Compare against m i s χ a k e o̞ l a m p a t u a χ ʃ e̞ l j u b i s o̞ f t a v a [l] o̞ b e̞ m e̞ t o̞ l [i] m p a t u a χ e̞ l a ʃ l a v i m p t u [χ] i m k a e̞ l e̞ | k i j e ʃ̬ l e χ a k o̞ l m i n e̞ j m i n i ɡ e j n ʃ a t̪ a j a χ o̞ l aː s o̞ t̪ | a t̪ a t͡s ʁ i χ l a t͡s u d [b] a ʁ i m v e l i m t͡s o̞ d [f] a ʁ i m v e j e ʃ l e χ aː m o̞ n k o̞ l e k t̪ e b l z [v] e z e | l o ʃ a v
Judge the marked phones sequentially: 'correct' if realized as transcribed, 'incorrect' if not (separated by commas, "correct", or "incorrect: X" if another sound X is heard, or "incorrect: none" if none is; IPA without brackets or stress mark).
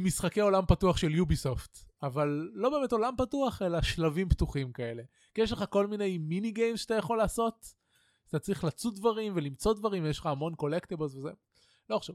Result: incorrect: lː, incorrect: a, correct, incorrect: v, incorrect: v, correct